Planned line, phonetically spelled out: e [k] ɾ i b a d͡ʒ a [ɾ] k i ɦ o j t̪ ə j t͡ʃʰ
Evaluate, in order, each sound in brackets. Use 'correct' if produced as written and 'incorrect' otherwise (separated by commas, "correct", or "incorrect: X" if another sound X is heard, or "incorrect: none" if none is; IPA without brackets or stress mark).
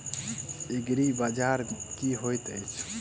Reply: incorrect: ɡ, correct